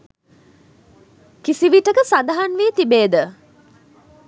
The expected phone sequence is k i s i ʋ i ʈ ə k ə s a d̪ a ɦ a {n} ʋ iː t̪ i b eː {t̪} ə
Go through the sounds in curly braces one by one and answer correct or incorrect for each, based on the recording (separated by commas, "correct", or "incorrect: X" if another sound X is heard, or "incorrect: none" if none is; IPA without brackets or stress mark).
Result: correct, incorrect: d̪